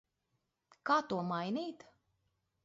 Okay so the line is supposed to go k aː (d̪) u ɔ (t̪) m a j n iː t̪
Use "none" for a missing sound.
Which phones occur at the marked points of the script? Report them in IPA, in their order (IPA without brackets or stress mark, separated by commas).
t̪, none